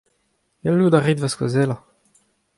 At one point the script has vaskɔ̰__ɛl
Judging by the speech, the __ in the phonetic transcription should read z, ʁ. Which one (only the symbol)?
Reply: z